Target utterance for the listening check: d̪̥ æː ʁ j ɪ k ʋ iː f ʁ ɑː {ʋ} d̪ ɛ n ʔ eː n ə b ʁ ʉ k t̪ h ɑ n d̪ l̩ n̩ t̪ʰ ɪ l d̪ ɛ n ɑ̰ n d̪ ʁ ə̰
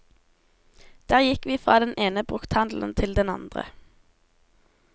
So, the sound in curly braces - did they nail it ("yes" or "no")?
no